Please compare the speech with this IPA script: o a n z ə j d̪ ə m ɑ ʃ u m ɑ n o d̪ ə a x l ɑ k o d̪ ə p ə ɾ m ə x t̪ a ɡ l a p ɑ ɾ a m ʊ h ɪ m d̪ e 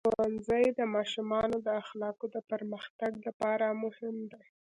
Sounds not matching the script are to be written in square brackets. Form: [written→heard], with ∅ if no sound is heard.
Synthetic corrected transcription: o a n z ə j d̪ ə m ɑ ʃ u m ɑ n o d̪ ə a x l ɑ k o d̪ ə p ə ɾ m ə x t̪ a ɡ l a p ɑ ɾ a m ʊ h ɪ m d̪ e